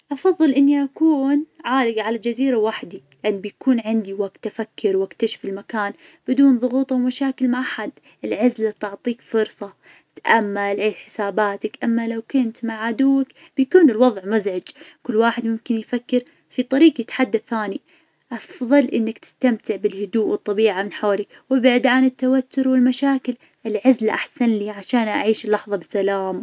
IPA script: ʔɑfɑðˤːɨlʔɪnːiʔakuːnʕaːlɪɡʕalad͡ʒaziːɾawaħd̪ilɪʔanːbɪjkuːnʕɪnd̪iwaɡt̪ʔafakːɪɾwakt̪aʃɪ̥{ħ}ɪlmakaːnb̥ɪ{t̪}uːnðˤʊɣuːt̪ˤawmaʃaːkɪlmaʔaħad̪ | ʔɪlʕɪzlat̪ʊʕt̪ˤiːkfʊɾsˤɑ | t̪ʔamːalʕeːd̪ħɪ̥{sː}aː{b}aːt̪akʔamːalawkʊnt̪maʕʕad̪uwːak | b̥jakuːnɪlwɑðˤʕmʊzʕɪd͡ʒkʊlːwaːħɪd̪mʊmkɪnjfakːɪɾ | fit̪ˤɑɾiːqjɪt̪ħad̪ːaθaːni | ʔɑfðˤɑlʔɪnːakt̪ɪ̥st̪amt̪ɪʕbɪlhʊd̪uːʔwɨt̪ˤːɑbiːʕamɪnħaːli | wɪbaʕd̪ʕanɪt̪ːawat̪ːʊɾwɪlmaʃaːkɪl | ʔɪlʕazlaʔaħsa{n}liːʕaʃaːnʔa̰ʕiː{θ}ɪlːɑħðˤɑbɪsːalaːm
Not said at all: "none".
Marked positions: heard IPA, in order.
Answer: f, d̪, s, b, n, ʃ

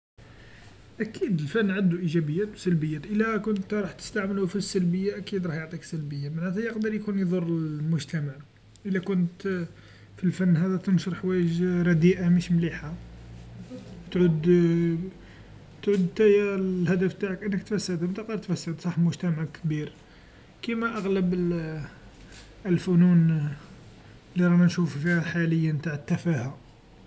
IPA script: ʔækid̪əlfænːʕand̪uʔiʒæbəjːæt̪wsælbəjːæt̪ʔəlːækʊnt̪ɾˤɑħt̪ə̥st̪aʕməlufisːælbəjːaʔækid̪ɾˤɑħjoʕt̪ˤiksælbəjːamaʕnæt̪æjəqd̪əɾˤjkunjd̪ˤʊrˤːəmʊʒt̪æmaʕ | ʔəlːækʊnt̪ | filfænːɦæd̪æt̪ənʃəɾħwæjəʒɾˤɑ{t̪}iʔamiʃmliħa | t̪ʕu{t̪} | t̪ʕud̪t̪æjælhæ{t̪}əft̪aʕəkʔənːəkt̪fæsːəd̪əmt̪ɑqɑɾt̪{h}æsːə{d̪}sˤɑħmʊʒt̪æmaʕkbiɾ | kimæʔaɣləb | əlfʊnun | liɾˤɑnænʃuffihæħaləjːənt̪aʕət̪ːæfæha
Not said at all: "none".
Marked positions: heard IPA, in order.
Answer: d̪, d̪, d̪, f, d̪

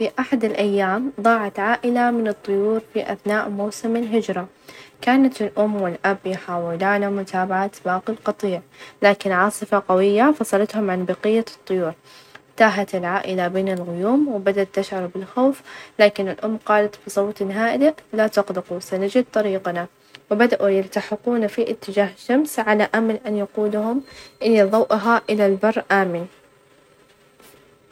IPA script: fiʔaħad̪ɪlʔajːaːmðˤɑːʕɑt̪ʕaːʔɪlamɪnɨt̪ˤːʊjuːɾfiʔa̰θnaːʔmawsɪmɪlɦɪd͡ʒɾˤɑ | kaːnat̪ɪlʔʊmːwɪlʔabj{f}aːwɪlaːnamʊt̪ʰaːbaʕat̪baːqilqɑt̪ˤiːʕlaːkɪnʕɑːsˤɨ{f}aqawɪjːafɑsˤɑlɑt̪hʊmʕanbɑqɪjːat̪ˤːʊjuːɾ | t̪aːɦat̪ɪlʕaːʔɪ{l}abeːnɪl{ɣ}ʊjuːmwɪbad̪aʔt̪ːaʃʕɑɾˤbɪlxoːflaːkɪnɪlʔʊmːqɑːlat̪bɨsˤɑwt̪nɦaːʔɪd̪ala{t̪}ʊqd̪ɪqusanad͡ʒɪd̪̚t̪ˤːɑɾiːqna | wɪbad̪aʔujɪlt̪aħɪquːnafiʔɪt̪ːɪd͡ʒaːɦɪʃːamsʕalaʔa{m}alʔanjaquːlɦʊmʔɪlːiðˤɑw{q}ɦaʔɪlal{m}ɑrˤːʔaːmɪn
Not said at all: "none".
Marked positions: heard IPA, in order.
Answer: ħ, f, l, ɣ, t̪, m, ʔ, b

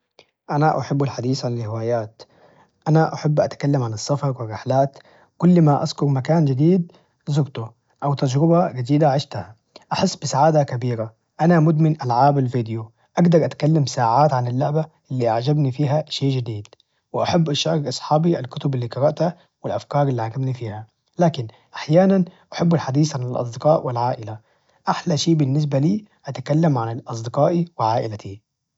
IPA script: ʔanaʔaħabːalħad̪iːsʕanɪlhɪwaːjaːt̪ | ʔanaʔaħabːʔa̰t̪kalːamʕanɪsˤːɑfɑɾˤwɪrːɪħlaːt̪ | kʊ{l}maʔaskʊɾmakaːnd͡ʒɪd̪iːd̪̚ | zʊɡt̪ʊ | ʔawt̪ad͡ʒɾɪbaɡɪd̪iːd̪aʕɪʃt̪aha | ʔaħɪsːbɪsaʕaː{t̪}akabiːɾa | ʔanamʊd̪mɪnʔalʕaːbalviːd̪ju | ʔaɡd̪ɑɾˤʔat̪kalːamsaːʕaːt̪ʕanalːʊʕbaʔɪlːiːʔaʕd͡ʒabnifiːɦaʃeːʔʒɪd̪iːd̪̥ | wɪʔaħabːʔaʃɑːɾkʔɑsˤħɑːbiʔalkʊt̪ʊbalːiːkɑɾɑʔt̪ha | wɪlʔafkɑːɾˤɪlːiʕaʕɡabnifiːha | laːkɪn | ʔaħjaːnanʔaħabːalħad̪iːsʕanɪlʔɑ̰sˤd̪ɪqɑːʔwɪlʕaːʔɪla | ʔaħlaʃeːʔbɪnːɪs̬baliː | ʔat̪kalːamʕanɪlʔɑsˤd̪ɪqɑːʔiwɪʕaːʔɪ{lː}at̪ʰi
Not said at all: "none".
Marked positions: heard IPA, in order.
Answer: lː, d̪, l

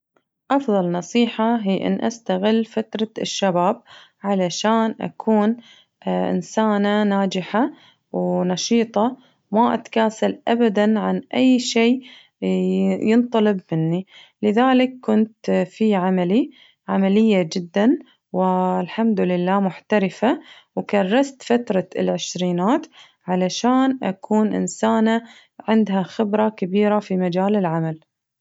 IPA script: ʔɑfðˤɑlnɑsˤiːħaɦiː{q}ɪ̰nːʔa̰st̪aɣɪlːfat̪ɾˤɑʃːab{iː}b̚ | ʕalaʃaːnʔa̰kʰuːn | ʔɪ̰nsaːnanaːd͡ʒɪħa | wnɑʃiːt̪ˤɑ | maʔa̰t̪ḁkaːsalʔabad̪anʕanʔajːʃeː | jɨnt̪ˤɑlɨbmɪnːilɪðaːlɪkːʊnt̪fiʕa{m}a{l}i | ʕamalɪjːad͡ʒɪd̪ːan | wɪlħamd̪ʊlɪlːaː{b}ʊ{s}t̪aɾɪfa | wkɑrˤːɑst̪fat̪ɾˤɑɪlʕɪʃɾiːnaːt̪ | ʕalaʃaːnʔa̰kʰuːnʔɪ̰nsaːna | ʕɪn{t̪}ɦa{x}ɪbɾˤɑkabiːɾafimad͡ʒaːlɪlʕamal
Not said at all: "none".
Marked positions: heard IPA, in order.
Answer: ʔ, aː, m, l, m, ħ, d̪, x

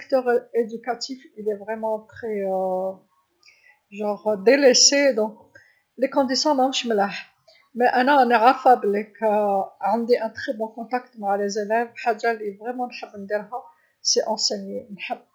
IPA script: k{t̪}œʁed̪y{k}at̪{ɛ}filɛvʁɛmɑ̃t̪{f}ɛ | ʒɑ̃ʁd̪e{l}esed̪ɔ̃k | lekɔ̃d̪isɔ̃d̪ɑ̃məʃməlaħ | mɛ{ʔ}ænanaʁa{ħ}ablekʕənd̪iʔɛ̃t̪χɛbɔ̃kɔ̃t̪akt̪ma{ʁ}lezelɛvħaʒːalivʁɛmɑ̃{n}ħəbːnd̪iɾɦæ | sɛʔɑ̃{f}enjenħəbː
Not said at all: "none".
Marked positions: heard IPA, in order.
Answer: t̪, k, i, χ, l, ʔ, f, ʕ, n, s

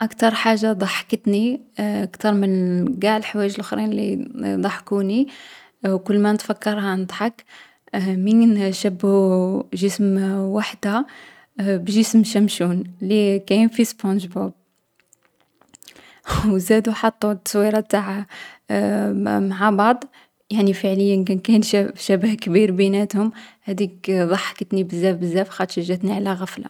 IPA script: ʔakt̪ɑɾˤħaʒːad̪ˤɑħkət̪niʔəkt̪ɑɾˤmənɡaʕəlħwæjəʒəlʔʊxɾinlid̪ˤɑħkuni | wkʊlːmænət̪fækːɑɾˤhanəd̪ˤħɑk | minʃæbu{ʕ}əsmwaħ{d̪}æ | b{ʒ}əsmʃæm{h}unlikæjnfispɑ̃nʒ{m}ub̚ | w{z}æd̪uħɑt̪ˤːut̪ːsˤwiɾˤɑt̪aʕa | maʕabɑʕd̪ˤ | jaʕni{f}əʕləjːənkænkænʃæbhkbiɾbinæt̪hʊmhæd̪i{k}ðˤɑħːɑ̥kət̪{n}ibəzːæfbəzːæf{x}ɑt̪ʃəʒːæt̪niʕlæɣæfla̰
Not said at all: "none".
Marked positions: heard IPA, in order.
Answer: ʒ, d̪, ʒ, ʃ, b, z, f, k, n, x

